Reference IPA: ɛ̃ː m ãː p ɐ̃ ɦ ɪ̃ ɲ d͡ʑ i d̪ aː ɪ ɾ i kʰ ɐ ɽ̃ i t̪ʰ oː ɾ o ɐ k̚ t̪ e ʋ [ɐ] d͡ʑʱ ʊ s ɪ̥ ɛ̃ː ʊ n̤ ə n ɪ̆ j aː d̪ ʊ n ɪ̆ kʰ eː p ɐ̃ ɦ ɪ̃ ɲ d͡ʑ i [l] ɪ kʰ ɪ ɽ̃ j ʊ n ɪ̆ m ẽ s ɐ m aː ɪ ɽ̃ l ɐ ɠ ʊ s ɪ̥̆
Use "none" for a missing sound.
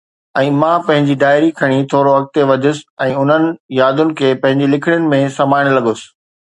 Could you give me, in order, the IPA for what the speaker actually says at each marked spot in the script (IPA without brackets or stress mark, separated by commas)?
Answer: ɐ, l